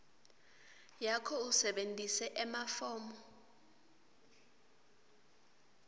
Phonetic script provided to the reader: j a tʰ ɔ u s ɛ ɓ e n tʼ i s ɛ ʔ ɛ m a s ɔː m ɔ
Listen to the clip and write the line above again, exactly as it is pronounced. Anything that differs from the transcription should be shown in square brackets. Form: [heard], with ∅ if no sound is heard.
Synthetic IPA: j a [kʰ] ɔ u s ɛ ɓ e n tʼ i s ɛ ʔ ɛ m a [f] ɔː m ɔ